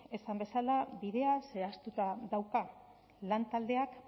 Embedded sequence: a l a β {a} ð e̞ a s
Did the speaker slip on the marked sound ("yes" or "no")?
yes